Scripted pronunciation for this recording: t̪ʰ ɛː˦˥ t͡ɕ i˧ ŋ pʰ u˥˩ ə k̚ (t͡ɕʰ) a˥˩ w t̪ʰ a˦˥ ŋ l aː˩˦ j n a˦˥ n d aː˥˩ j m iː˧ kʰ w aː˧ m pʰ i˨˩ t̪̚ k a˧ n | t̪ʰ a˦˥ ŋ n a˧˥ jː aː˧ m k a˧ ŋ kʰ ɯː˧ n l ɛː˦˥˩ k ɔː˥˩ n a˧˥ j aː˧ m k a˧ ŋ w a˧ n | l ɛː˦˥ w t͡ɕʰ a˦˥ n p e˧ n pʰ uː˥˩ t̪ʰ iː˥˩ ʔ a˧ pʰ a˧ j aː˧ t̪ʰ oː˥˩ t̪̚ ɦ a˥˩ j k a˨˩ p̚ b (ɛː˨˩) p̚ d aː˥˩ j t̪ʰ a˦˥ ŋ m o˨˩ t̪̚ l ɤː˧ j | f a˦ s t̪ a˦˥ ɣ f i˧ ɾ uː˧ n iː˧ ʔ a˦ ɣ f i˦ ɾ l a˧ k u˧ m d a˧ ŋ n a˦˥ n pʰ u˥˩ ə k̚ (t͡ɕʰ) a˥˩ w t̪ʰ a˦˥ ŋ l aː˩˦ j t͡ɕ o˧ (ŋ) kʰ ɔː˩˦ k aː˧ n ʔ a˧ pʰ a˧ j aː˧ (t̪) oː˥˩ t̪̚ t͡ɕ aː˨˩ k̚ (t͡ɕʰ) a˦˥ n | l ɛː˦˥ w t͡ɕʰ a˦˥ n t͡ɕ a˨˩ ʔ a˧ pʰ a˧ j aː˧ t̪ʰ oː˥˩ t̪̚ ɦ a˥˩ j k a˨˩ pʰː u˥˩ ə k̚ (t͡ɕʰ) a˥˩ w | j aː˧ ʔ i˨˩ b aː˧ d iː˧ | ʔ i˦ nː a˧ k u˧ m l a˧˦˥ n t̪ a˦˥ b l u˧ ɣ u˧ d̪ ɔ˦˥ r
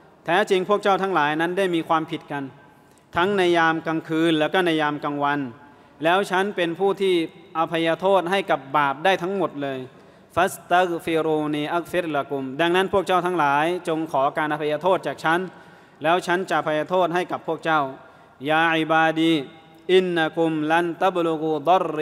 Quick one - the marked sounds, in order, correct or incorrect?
incorrect, incorrect, incorrect, correct, incorrect, correct, incorrect

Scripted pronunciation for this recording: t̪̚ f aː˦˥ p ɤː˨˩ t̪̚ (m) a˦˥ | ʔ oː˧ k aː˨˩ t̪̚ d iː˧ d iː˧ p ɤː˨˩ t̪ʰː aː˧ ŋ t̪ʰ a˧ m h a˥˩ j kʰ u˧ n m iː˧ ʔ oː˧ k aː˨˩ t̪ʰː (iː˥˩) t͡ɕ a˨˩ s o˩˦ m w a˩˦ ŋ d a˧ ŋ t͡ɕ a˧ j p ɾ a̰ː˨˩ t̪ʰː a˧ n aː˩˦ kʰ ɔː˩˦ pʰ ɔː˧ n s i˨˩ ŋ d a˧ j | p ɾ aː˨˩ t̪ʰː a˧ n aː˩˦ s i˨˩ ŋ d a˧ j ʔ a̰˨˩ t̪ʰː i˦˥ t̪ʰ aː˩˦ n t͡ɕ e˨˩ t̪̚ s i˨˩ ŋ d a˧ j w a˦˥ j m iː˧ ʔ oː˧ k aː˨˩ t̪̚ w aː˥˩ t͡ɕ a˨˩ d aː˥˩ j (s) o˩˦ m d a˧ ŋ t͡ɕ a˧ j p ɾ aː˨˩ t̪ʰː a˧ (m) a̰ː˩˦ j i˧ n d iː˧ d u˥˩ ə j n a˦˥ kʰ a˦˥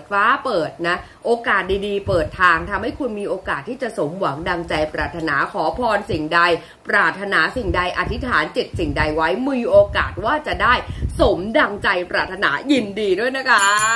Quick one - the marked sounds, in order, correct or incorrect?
incorrect, correct, correct, incorrect

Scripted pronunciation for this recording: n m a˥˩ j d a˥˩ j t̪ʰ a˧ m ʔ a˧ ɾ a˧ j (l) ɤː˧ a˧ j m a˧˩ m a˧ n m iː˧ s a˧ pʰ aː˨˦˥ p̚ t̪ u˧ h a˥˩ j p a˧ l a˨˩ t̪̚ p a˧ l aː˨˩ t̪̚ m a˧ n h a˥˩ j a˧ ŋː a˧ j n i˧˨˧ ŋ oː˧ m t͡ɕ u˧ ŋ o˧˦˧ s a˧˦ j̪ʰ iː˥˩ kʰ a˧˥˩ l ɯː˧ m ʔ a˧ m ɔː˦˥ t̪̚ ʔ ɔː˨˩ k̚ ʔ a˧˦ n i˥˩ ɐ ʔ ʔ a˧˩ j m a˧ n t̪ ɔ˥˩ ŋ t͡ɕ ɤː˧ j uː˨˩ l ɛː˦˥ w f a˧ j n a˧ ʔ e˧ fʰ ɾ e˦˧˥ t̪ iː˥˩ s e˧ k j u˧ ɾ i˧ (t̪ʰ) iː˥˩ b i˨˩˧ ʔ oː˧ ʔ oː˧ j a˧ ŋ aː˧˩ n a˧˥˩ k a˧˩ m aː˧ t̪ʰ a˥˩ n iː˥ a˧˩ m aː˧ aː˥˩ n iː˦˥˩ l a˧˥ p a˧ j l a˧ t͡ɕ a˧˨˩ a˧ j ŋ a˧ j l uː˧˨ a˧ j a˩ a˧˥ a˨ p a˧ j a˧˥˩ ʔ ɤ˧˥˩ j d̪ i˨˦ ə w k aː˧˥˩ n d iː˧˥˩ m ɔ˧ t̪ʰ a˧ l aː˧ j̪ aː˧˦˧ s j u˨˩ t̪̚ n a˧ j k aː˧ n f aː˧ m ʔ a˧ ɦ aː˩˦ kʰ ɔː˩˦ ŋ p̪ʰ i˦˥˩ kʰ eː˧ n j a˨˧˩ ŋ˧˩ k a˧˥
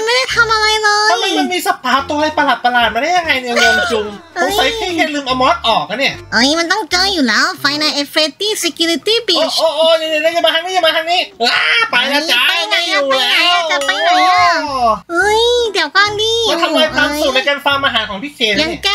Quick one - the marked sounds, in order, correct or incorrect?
correct, incorrect

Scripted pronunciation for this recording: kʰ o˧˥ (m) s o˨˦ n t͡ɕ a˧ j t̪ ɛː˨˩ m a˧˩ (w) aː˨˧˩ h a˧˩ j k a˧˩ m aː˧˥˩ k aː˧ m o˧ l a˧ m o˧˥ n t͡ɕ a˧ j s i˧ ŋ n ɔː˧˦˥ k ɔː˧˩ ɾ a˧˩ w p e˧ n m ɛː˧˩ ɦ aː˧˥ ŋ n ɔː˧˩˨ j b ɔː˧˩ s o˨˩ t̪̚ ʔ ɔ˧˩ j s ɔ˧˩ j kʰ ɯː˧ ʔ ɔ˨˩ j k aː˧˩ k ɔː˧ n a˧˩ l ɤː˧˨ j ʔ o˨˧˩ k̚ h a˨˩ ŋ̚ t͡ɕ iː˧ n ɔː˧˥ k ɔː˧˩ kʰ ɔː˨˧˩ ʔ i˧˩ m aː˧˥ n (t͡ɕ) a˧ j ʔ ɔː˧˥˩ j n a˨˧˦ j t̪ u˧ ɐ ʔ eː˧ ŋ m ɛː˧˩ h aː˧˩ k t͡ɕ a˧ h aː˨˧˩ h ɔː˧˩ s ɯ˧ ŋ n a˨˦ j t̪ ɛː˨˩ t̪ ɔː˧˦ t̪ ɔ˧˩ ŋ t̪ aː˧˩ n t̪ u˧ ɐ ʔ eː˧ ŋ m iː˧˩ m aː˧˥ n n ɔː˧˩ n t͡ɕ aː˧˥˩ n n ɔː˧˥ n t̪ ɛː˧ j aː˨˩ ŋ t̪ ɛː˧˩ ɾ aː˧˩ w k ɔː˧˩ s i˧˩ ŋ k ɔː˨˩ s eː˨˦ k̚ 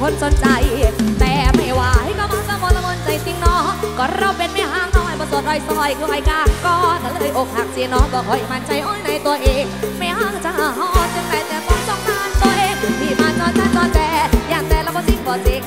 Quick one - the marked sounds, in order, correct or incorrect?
incorrect, correct, correct

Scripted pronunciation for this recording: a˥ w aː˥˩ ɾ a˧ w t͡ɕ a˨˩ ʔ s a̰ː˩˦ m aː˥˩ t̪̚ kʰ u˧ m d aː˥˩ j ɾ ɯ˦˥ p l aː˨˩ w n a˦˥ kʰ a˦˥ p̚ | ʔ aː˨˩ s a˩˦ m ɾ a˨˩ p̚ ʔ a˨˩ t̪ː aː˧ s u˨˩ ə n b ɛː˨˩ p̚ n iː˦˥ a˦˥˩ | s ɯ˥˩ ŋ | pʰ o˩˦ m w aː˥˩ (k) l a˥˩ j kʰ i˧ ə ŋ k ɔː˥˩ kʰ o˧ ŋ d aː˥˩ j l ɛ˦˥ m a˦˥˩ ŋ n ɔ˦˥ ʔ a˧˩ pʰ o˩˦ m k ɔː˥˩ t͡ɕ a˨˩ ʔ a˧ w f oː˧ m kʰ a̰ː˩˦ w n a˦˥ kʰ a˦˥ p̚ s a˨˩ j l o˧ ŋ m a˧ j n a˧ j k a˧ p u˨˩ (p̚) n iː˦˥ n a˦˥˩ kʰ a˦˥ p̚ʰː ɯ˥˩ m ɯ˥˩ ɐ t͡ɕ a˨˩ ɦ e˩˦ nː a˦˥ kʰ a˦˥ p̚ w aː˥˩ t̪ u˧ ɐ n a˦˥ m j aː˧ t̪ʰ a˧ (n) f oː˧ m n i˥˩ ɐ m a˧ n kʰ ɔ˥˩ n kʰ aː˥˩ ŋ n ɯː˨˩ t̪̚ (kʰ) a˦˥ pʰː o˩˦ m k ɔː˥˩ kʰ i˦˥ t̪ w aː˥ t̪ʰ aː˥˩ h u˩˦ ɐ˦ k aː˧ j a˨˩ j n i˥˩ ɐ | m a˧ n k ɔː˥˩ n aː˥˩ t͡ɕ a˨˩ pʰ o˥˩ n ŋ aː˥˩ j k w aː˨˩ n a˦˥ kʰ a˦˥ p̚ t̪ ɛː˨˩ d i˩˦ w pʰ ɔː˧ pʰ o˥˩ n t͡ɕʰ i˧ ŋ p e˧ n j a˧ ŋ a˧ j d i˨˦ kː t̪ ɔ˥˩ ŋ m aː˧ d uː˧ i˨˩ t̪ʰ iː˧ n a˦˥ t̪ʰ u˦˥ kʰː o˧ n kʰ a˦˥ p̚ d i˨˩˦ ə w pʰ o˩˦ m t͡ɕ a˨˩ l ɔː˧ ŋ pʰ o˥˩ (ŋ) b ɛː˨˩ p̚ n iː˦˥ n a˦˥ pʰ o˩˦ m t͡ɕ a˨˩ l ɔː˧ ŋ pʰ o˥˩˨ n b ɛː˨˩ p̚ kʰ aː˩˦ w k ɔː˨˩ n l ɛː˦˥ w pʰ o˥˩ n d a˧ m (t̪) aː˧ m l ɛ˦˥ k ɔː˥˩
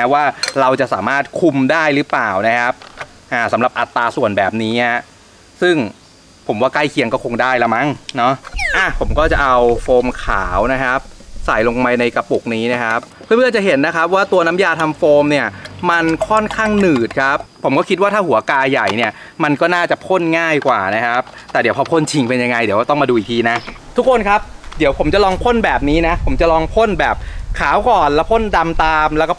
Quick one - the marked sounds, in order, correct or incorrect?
correct, incorrect, incorrect, correct, incorrect, correct

